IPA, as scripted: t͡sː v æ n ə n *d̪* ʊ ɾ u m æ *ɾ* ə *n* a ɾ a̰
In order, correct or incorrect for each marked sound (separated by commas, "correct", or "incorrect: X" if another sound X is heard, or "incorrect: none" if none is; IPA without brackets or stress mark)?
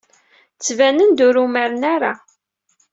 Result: correct, correct, correct